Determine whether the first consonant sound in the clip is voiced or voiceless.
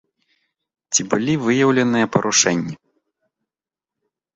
voiceless